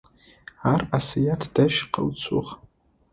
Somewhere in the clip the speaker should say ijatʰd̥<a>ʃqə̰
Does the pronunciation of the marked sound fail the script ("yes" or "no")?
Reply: no